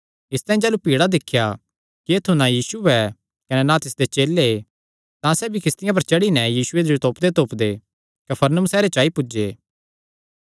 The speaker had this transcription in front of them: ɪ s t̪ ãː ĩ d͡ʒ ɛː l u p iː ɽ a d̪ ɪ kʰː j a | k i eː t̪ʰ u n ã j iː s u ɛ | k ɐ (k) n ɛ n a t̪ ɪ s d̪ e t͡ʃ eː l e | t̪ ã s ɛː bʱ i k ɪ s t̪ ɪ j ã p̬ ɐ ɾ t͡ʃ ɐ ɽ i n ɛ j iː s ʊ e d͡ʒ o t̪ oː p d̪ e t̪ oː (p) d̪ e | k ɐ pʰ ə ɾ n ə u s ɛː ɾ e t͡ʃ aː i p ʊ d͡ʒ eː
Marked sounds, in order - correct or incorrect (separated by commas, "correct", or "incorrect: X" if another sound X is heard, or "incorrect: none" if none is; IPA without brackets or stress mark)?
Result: incorrect: none, correct